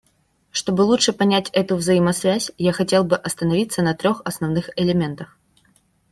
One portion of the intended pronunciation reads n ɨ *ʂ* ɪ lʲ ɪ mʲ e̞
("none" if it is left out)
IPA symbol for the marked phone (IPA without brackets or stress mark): x